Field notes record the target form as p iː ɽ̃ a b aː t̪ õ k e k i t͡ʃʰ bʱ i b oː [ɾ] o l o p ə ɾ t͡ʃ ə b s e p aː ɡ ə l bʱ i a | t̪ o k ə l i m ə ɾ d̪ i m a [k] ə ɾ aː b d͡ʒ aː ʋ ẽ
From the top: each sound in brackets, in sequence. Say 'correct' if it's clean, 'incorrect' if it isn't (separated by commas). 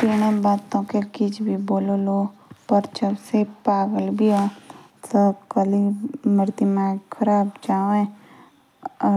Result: incorrect, incorrect